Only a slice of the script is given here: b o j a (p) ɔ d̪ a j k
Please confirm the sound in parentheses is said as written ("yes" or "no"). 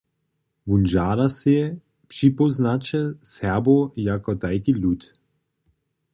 no